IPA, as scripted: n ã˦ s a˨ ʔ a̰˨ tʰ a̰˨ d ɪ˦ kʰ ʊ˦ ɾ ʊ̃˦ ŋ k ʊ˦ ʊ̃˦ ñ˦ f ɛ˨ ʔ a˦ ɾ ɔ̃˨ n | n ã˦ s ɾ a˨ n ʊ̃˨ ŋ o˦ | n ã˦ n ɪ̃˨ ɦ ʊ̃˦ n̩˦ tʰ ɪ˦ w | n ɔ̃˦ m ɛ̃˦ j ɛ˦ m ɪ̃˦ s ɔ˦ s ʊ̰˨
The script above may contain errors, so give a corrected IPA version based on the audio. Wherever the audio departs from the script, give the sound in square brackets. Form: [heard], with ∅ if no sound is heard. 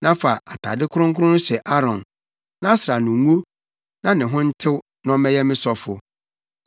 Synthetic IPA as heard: n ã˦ [f] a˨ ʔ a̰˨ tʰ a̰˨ d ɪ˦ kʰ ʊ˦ ɾ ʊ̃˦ ŋ k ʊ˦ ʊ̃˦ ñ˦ [ɕ] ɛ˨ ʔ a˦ ɾ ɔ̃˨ n | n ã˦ s ɾ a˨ n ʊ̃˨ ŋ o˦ | n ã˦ n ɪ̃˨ ɦ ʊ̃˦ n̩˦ tʰ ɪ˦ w | n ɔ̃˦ m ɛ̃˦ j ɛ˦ m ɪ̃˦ s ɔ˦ [f] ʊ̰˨